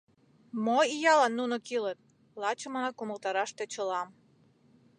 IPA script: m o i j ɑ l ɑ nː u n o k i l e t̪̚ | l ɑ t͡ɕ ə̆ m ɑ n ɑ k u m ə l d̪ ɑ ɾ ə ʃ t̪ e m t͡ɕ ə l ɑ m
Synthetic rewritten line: m o i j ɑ l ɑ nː u n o k i l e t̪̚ | l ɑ t͡ɕ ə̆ m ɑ n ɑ k u m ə l t̪ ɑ ɾ ɑ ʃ t̪ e t͡ɕ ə l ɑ m